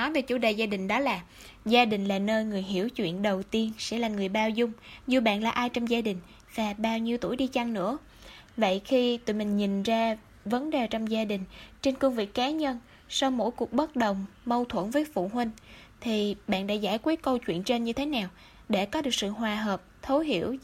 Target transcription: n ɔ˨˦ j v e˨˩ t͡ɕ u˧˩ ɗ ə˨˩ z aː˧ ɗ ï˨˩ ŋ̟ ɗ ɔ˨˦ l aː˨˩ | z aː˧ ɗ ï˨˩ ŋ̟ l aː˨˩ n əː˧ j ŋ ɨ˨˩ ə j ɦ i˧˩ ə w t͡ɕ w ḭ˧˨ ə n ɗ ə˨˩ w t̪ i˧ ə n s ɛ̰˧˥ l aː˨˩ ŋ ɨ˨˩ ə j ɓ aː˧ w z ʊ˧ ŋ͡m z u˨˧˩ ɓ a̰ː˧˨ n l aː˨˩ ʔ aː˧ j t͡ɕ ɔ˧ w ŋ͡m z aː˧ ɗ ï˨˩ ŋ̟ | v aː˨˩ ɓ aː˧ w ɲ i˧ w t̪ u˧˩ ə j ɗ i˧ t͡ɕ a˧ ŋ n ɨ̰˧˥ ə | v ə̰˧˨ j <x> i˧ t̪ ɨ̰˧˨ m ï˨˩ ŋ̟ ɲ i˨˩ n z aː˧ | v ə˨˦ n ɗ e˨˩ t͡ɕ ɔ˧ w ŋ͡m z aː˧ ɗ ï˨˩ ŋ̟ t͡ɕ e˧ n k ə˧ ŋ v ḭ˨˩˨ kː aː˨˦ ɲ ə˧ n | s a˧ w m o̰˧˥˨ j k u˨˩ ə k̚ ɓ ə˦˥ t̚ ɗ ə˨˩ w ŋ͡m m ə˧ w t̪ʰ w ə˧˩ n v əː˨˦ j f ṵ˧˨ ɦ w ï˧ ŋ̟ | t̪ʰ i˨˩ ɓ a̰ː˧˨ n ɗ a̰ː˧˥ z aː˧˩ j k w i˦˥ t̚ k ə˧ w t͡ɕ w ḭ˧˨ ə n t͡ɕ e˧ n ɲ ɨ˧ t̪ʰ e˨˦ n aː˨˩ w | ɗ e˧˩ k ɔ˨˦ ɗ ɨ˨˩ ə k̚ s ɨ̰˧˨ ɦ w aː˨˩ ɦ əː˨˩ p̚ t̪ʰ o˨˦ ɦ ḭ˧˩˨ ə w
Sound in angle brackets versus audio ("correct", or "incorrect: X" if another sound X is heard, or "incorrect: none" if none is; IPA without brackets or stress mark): correct